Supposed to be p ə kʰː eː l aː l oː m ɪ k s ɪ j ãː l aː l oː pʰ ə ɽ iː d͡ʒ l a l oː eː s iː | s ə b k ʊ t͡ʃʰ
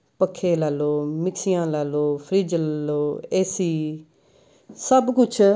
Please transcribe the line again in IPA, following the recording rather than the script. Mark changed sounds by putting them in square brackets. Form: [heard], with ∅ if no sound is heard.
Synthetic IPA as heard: p ə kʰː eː l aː l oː m ɪ k s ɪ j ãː l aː l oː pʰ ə [ɾ] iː d͡ʒ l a l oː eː s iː | s ə b k ʊ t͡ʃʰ